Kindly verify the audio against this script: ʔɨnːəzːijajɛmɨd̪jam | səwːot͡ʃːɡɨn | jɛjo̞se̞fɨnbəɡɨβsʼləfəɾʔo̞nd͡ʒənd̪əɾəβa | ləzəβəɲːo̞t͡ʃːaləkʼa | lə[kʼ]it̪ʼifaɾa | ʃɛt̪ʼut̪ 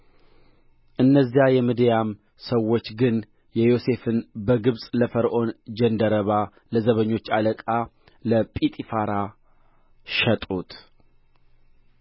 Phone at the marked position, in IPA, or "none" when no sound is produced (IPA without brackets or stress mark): pʼ